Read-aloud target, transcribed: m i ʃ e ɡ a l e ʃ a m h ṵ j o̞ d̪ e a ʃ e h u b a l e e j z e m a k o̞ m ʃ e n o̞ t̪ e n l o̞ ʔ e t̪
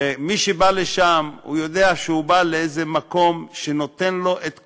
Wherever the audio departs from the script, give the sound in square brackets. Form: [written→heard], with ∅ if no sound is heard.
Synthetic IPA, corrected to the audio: m i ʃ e [ɡ→b] a l e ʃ a m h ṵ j o̞ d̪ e a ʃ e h u b a l e e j z e m a k o̞ m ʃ e n o̞ t̪ e n l o̞ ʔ e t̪